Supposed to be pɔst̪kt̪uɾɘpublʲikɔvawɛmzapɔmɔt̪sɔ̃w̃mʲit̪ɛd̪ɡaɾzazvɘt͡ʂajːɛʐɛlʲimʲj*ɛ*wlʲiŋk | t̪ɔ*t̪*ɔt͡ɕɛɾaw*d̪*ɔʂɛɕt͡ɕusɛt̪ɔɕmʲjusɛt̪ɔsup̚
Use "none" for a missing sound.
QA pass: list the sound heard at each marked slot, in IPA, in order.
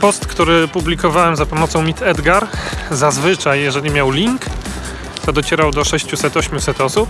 a, d̪, d̪

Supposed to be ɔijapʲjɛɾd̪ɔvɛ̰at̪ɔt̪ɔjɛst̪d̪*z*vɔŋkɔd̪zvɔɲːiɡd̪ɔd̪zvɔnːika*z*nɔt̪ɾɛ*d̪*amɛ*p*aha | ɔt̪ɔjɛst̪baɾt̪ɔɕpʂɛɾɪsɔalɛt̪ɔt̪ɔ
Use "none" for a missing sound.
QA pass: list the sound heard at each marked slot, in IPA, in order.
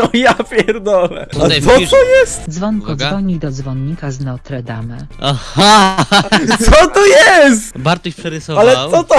z, z, d̪, none

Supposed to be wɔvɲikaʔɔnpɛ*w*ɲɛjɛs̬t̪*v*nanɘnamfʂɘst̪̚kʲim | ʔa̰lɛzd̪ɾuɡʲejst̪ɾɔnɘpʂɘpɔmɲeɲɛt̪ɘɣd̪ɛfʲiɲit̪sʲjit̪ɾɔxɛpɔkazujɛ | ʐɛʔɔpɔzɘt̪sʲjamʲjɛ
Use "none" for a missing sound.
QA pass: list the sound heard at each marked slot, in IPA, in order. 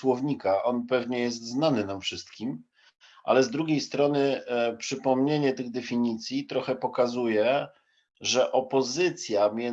v, z

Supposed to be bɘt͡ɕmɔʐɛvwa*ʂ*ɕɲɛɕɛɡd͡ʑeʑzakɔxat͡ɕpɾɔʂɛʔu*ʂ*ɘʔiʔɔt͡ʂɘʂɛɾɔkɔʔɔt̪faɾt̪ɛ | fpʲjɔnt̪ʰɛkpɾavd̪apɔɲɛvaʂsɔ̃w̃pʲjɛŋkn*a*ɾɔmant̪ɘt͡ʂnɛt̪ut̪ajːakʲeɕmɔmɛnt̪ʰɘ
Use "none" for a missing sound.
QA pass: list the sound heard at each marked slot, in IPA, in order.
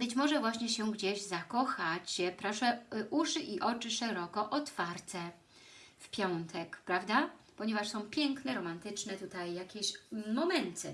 none, ʂ, ɛ

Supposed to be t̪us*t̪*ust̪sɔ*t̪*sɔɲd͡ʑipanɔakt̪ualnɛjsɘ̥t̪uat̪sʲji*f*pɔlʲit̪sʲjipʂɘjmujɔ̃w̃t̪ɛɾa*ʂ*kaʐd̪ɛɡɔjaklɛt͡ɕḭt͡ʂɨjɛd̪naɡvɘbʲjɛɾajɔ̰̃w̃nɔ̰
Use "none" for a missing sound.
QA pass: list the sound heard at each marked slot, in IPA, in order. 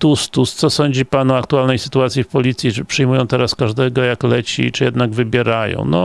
t̪, none, f, s

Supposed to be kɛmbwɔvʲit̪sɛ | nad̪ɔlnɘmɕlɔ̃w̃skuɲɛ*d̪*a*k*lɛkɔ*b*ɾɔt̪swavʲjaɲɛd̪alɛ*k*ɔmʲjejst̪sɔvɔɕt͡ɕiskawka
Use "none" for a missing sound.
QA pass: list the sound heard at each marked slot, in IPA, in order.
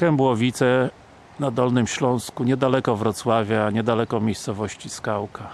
d̪, none, v, k

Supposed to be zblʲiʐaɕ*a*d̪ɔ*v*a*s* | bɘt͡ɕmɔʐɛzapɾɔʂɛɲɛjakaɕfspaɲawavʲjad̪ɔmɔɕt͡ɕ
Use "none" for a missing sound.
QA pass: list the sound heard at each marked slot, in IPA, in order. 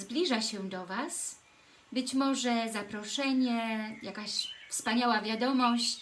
ɛ, v, s

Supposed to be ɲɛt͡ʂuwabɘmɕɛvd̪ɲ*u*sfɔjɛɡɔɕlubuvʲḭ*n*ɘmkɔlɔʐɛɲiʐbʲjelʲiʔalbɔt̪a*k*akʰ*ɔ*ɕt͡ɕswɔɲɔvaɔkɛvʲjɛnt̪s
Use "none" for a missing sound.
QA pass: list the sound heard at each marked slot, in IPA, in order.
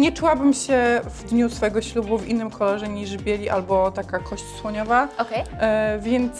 u, nː, k, ɔ

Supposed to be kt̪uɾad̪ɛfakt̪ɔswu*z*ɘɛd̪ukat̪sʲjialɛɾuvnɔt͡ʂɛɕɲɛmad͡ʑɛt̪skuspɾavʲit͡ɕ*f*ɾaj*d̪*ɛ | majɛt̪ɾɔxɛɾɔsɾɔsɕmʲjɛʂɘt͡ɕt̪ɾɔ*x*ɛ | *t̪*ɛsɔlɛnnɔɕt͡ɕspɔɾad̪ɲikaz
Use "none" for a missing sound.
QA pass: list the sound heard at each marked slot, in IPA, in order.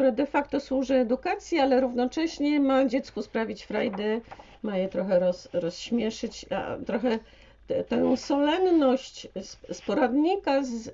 ʐ, f, d̪, x, t̪

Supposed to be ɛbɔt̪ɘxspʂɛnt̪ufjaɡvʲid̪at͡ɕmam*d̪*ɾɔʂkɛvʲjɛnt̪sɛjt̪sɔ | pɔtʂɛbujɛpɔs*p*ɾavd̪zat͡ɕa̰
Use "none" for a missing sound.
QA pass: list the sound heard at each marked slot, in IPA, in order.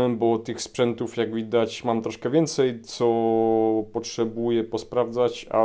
t̪, p

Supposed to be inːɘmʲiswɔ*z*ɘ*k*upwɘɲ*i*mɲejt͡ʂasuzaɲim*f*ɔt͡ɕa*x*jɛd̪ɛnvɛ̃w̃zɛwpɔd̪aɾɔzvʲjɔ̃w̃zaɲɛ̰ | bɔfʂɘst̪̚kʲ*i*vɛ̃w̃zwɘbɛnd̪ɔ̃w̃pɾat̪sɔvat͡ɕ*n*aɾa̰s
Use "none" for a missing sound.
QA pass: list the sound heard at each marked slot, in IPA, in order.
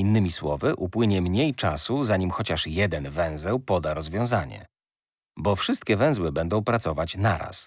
v, ʔ, ɛ, x, ʂ, ɛ, n

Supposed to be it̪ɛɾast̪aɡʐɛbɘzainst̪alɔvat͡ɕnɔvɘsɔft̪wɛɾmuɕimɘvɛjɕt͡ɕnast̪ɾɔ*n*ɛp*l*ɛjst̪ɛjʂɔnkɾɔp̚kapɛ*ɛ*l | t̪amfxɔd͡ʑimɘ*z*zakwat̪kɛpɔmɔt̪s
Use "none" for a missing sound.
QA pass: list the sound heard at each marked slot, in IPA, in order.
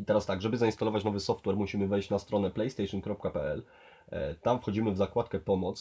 n, l, ɛ, v

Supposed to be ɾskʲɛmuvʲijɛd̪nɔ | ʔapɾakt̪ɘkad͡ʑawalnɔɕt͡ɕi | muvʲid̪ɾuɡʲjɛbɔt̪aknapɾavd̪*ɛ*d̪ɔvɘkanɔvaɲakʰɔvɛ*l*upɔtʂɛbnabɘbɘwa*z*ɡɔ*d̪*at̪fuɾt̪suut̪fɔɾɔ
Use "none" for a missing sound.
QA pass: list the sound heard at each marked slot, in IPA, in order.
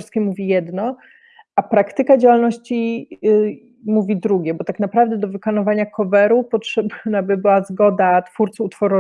ɛ, ɾ, z, d̪

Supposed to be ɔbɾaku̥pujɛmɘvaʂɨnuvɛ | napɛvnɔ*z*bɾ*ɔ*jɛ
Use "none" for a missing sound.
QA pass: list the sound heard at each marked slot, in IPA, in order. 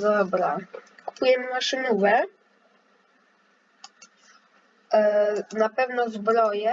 z, ɔ

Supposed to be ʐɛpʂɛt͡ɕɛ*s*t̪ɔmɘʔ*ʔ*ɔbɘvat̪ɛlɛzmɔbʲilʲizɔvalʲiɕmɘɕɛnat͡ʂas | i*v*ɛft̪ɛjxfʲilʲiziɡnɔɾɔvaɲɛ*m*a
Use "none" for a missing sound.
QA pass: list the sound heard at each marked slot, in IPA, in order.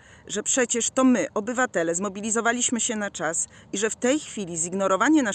ʂ, ʔ, ʐ, n

